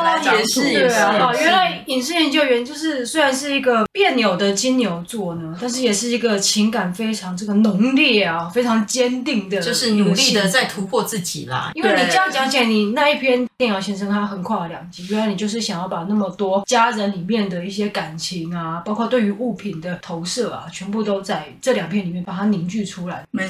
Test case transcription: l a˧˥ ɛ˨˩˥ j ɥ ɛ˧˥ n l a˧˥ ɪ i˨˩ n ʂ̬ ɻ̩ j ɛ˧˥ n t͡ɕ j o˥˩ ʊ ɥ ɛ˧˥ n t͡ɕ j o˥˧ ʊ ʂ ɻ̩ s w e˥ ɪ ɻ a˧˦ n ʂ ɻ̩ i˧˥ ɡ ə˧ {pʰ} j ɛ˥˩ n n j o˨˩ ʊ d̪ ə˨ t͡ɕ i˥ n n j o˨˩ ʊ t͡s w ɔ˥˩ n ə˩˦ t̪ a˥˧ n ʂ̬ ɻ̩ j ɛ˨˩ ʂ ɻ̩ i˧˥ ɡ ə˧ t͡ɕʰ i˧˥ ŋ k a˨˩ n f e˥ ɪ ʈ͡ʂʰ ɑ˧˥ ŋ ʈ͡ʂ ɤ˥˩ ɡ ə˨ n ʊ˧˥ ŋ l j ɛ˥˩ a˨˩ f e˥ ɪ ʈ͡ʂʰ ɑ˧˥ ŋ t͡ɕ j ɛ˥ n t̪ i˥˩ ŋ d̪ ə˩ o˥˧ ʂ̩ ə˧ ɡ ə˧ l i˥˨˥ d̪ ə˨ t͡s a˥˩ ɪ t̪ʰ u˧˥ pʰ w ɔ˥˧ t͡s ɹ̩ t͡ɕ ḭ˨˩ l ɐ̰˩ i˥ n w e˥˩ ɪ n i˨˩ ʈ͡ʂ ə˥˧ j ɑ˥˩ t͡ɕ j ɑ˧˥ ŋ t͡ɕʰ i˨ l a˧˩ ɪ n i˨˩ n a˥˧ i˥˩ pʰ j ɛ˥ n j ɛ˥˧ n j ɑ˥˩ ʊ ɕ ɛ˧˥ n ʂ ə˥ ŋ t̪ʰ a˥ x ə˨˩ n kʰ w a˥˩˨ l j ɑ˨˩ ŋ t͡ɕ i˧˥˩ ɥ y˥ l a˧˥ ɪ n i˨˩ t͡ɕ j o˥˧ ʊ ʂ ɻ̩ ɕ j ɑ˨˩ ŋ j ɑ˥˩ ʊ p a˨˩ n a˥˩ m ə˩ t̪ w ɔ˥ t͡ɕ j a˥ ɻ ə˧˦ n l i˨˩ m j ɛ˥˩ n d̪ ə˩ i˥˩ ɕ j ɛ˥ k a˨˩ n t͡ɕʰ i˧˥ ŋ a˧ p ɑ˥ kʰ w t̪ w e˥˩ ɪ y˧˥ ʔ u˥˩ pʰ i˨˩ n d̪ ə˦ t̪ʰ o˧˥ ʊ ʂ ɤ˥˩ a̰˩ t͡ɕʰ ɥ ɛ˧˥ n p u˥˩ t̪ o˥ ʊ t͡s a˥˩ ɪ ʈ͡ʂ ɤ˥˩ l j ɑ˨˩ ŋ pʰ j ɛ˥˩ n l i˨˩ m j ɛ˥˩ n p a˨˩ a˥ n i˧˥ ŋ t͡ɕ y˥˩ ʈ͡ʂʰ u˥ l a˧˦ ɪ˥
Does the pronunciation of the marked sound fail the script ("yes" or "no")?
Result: yes